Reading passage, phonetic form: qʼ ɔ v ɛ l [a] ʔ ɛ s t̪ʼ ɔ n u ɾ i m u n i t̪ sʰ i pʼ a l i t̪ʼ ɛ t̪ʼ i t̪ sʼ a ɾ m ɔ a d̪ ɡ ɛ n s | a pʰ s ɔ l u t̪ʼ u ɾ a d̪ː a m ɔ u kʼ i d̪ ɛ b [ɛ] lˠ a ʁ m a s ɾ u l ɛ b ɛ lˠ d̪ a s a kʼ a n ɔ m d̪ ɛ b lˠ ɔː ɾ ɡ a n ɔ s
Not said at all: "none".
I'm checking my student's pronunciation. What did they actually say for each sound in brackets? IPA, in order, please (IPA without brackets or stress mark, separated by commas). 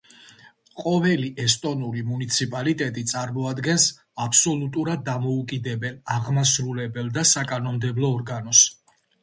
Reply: i, ɛ